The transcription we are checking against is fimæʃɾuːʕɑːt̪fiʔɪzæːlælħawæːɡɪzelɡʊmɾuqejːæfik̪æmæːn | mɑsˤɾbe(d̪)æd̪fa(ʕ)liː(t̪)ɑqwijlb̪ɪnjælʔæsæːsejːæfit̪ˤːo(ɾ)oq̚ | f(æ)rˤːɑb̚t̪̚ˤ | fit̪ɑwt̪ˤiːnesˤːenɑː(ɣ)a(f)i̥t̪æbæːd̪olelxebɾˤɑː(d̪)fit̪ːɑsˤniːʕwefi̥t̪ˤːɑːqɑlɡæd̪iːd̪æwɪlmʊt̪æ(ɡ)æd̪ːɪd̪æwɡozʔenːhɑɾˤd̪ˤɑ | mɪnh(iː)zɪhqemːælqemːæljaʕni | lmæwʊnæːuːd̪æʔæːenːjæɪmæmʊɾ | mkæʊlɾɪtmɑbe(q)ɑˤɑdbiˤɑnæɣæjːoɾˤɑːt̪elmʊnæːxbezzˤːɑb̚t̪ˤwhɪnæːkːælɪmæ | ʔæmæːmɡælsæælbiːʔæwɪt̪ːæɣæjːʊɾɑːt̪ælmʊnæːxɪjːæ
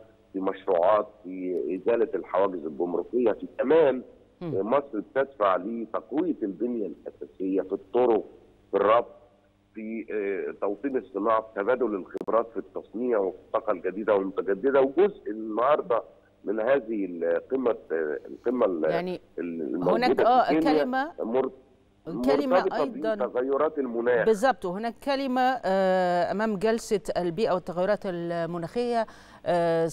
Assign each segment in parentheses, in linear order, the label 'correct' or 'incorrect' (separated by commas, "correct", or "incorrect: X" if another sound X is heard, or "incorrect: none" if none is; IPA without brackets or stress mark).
incorrect: t̪, correct, correct, correct, incorrect: i, incorrect: ʕ, correct, incorrect: t̪, correct, incorrect: æː, incorrect: ʔ